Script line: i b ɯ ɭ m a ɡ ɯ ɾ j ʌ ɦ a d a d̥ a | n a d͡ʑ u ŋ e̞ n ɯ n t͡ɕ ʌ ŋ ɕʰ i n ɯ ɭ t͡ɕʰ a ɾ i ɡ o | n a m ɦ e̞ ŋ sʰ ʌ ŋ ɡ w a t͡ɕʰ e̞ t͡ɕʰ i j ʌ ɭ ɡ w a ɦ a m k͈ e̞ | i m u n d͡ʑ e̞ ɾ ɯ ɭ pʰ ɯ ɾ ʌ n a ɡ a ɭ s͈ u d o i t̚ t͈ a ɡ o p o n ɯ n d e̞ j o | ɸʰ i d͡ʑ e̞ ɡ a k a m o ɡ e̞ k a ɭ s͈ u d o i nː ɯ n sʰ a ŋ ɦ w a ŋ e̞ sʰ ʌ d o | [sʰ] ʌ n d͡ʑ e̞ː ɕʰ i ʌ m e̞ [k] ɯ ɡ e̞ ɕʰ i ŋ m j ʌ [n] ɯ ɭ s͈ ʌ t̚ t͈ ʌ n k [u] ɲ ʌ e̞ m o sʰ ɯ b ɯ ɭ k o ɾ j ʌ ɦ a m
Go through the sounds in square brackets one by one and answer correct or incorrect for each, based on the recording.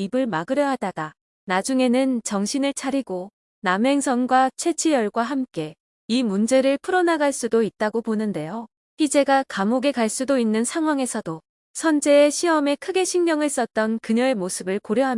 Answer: correct, incorrect: kʰ, incorrect: ŋ, incorrect: ɯ

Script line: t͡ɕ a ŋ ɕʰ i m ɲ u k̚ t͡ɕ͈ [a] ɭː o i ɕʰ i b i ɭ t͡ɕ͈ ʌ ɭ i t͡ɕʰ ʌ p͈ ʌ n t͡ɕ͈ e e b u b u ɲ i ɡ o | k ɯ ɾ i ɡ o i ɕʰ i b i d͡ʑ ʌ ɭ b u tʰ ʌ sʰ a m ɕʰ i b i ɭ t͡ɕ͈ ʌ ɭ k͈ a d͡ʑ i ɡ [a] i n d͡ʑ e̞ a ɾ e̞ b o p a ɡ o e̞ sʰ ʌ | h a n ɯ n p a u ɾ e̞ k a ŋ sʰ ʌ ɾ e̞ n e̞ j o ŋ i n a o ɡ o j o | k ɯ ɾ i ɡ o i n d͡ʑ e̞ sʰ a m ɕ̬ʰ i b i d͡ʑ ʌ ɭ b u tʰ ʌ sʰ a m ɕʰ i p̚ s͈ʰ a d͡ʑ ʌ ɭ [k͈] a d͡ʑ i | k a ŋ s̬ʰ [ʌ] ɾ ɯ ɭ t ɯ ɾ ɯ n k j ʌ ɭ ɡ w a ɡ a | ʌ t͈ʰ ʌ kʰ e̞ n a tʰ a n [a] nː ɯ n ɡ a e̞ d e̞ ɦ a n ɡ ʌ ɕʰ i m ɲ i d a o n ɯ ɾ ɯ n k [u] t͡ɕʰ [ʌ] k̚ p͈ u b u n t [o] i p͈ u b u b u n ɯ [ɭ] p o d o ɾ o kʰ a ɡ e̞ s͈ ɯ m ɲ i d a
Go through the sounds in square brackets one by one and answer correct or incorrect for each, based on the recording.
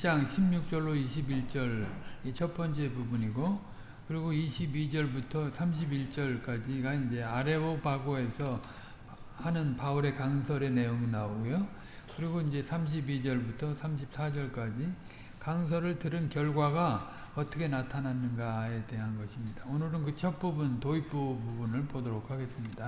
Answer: incorrect: ʌ, correct, correct, correct, correct, incorrect: ɯ, correct, correct, correct

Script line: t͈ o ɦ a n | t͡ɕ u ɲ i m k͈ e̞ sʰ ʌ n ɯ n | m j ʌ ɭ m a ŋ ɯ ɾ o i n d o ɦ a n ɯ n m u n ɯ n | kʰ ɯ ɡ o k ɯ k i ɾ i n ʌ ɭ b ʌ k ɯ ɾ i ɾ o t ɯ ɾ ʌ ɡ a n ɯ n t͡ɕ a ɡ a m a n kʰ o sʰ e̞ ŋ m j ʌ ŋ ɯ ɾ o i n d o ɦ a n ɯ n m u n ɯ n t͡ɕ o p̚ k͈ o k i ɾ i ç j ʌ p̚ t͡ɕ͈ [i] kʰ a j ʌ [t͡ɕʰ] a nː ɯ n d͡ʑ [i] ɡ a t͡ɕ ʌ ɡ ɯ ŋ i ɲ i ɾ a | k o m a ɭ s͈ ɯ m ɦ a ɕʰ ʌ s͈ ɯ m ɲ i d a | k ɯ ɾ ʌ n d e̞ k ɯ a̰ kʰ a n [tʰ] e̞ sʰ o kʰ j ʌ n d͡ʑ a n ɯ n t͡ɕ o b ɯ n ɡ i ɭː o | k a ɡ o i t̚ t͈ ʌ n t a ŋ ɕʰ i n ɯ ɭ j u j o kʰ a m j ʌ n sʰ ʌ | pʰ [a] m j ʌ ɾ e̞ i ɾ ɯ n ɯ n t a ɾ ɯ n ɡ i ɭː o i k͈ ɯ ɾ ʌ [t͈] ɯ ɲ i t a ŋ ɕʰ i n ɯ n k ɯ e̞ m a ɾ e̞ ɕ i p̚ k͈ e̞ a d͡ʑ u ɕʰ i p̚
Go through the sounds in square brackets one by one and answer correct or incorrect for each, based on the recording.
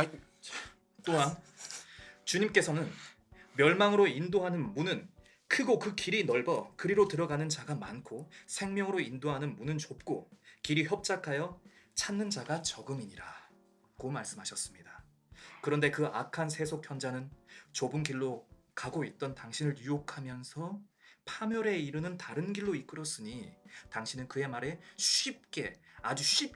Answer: incorrect: a, correct, incorrect: a, incorrect: sʰ, correct, incorrect: s͈

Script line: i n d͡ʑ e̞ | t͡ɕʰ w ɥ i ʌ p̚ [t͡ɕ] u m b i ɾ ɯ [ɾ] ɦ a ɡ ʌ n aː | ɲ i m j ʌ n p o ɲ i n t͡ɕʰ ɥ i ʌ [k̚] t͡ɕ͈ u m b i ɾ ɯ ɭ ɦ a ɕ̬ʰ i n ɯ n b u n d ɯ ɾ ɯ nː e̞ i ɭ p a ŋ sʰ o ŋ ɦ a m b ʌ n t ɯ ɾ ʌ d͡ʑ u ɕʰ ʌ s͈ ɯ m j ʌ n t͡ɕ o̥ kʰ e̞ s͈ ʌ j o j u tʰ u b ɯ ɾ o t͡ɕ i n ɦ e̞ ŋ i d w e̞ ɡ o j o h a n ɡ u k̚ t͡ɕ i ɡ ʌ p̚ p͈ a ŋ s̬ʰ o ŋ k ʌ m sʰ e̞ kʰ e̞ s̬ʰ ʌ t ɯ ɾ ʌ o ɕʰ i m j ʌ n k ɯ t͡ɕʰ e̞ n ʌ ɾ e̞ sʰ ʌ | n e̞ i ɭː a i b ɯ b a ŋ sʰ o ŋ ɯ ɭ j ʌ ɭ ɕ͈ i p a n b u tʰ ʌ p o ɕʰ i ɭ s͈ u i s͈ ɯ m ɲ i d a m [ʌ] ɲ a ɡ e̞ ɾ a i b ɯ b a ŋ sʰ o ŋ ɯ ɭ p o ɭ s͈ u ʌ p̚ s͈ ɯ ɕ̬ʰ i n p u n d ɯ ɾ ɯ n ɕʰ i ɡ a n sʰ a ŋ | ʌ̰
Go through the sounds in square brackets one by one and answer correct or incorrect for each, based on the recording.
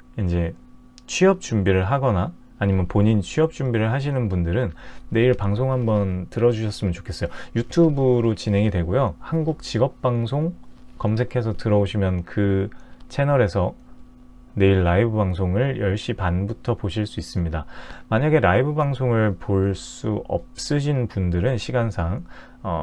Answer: correct, incorrect: ɭ, incorrect: p̚, incorrect: a

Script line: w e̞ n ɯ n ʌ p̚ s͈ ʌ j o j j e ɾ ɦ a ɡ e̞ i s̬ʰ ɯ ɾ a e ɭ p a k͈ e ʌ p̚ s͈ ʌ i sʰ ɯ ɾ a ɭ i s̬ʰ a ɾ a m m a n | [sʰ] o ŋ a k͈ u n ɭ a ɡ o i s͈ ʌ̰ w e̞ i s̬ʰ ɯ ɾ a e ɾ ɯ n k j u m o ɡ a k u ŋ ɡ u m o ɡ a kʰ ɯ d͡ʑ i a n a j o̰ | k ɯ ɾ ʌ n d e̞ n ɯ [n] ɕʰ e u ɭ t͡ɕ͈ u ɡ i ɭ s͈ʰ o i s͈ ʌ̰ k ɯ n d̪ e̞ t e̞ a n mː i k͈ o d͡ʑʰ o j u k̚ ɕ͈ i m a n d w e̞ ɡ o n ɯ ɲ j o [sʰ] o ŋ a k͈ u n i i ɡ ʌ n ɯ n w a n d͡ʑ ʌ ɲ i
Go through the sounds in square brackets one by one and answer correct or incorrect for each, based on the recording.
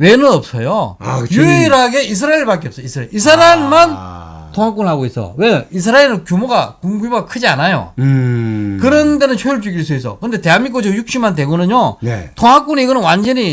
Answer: incorrect: tʰ, correct, incorrect: tʰ

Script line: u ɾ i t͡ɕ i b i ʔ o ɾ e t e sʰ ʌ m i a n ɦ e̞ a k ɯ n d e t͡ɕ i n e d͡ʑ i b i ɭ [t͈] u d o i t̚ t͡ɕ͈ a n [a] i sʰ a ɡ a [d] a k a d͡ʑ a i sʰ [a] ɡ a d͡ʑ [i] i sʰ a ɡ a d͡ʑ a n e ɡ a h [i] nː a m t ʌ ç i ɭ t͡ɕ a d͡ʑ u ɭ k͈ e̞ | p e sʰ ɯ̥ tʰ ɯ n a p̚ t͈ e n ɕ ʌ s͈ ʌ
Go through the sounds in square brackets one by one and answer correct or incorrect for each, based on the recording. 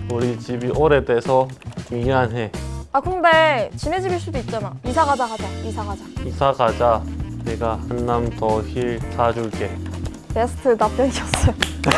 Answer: incorrect: s͈, correct, incorrect: d͡ʑ, correct, incorrect: a, incorrect: a

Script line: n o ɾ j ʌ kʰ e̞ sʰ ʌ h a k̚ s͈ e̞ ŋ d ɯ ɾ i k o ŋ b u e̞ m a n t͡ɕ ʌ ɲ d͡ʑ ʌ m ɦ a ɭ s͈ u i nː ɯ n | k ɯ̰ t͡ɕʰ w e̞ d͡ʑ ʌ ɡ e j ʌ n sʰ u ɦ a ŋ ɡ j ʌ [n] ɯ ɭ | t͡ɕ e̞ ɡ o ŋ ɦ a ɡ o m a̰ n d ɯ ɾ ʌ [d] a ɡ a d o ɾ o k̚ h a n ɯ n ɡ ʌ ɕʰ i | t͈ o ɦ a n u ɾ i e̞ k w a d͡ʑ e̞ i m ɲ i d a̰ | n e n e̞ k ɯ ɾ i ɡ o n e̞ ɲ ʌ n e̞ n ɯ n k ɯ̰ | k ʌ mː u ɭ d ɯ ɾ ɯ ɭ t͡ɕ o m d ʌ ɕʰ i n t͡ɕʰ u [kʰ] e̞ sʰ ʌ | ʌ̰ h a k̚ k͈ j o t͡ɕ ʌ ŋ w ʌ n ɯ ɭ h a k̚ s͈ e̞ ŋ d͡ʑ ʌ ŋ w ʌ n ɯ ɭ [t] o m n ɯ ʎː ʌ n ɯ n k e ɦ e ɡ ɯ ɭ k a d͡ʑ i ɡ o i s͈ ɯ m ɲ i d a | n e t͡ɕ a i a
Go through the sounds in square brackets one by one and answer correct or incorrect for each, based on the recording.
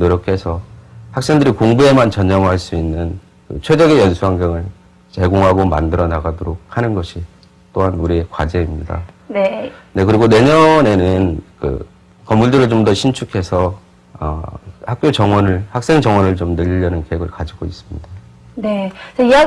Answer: incorrect: ŋ, incorrect: n, correct, incorrect: t͡ɕ

